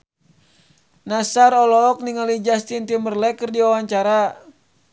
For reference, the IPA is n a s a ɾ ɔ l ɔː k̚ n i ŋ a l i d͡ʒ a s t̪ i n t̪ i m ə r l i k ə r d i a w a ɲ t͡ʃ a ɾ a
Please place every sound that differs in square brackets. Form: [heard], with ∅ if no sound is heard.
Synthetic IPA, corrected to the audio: n a s a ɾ ɔ l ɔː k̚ n i ŋ a l i d͡ʒ a s t̪ i n t̪ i m ə r l [ɛ] k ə r d i a w a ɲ t͡ʃ a ɾ a